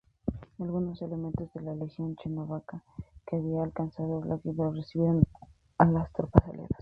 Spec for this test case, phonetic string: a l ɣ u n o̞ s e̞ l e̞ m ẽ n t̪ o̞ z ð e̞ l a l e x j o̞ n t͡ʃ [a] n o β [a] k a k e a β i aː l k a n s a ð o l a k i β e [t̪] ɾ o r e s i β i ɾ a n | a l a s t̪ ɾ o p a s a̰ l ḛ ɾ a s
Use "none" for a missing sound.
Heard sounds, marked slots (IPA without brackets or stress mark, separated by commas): e, a, none